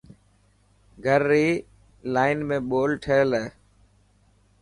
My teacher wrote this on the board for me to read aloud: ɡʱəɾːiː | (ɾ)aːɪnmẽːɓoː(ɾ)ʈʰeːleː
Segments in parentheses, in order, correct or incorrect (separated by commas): incorrect, incorrect